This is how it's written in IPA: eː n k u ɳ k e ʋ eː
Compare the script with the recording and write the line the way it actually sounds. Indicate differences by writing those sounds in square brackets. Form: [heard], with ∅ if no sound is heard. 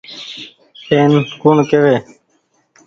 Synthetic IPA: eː n k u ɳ k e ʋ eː